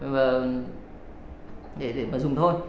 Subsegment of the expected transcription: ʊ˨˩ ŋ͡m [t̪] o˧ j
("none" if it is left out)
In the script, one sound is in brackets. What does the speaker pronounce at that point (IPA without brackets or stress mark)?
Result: t̪ʰ